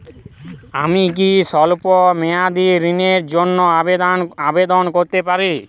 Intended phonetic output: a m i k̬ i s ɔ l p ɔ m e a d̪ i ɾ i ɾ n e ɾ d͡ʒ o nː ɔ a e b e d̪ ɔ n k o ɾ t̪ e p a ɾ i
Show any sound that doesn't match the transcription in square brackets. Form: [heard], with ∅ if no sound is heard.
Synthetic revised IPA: a m i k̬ i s ɔ l p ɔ m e a d̪ i ɾ i [∅] n e ɾ d͡ʒ o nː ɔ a [a] b e d̪ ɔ n k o ɾ t̪ e p a ɾ i